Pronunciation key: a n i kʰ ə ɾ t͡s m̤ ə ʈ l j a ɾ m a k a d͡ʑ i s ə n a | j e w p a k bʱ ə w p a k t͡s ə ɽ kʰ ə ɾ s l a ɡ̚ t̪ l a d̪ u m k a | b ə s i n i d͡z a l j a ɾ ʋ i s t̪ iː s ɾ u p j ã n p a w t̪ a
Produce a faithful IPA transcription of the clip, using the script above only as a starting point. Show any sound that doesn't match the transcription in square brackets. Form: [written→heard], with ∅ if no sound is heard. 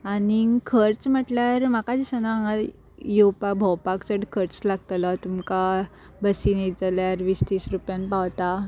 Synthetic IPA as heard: a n i kʰ ə ɾ t͡s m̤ ə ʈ l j a ɾ m a k a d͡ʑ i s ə n a | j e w p a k bʱ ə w p a k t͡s ə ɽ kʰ ə ɾ [s→t͡s] l a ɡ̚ t̪ l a [d̪→t̪] u m k a | b ə s i n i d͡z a l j a ɾ ʋ i s t̪ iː s ɾ u p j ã n p a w t̪ a